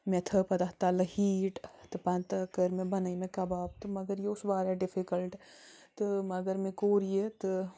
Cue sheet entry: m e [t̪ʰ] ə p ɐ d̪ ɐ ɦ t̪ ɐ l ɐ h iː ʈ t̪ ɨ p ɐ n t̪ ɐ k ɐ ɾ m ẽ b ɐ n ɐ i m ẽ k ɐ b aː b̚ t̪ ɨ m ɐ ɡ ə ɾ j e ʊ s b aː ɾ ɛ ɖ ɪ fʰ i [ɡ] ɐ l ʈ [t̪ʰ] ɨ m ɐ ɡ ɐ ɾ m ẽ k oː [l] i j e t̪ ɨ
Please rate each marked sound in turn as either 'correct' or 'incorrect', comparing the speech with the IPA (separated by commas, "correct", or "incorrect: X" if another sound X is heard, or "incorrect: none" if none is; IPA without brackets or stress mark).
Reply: correct, incorrect: k, incorrect: t̪, incorrect: ɾ